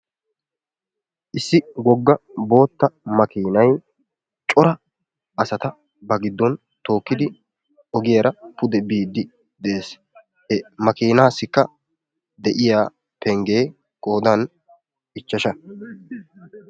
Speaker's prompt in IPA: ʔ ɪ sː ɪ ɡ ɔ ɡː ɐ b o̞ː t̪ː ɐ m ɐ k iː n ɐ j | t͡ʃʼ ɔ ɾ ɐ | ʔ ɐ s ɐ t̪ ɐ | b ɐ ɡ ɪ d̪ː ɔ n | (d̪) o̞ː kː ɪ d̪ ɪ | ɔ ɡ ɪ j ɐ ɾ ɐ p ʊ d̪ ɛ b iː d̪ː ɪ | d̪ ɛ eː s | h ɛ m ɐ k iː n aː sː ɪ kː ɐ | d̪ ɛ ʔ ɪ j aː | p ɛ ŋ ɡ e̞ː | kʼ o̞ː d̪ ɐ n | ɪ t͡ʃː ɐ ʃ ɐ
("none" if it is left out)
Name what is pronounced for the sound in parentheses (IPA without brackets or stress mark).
t̪